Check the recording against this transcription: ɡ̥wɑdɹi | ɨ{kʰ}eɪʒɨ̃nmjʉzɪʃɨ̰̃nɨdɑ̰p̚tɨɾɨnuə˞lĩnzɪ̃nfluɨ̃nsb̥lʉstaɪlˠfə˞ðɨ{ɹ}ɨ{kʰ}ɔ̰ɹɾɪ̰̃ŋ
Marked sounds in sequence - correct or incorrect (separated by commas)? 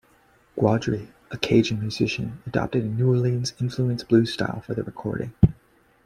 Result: correct, correct, correct